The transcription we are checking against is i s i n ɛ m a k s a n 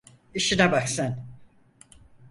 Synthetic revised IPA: i ʃ i n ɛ b a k s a n